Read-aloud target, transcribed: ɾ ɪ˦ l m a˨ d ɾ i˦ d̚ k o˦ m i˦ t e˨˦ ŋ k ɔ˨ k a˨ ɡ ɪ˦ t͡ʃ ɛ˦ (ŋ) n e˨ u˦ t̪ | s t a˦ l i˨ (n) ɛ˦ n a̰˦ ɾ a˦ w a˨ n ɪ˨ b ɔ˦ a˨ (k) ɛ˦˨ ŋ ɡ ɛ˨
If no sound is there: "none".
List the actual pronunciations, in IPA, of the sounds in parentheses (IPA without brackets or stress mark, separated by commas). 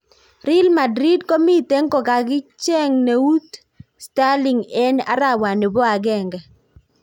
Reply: ŋ, ŋ, ɡ